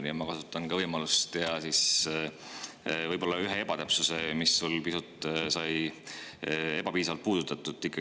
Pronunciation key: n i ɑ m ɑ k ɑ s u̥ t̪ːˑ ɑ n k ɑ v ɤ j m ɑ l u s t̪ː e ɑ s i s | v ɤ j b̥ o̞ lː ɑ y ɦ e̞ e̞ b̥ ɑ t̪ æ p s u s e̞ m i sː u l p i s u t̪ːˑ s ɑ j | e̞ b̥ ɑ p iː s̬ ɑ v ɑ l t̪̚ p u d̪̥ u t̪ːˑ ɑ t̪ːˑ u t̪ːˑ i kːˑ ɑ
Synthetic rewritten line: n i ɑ m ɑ k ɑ s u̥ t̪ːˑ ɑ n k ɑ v ɤ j m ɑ l u s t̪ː e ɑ s i s | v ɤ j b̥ o̞ lː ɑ y ɦ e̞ e̞ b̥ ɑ t̪ æ p s u s e̞ m i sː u l p i s u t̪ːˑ s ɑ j | e̞ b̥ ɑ p iː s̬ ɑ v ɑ l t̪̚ p uː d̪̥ u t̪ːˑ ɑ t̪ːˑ u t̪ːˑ i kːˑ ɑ

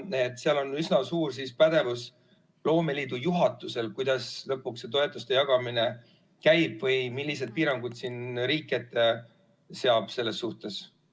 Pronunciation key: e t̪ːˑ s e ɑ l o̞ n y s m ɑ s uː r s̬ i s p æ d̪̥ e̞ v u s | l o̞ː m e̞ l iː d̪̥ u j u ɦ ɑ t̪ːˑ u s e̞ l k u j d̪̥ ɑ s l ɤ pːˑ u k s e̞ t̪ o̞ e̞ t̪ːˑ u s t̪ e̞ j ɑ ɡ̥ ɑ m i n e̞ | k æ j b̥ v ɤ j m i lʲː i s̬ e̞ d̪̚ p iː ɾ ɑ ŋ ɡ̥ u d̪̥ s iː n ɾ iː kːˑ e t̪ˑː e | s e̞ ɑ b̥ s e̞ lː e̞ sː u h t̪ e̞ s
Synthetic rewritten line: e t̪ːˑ s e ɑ l o̞ n y s n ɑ s uː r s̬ i s p æ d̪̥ e̞ v u s | l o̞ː m e̞ l iː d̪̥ u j u ɦ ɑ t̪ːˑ u s e̞ l k u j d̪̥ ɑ s l ɤ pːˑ u k s e̞ t̪ o̞ e̞ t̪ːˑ u s t̪ e̞ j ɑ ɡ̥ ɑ m i n e̞ | k æ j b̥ v ɤ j m i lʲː i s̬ e̞ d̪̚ p iː ɾ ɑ ŋ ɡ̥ u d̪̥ s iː n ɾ iː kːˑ e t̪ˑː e | s e̞ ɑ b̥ s e̞ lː e̞ sː u h t̪ e̞ s

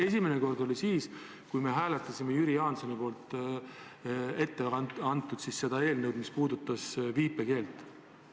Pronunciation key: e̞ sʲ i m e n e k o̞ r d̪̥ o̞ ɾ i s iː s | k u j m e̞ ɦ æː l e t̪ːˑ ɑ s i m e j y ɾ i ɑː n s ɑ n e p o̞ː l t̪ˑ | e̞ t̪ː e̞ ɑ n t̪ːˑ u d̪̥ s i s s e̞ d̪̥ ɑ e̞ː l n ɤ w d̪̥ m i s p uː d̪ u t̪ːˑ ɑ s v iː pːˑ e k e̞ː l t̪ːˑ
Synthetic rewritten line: e̞ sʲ i m e n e k o̞ r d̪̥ o̞ l i s iː s | k u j m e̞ ɦ æː l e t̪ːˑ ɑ s i m e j y ɾ i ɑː n s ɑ n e p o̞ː l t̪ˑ | e̞ t̪ː e̞ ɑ n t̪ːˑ u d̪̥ s i s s e̞ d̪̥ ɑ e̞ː l n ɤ w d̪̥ m i s p uː d̪ u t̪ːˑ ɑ s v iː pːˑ e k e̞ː l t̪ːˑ

